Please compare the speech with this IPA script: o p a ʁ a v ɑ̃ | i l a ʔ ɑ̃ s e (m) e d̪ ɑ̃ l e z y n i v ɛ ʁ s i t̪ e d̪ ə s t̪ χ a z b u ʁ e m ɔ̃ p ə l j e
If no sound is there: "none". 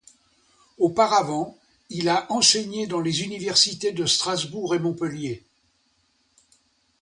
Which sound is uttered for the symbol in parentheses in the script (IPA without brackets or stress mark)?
ɲ